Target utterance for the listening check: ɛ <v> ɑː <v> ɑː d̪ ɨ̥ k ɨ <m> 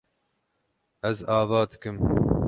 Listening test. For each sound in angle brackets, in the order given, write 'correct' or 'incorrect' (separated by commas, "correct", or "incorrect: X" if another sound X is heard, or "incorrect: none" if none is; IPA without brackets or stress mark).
incorrect: z, correct, correct